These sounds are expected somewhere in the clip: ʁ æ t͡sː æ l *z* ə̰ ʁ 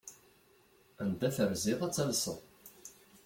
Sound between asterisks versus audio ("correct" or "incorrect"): incorrect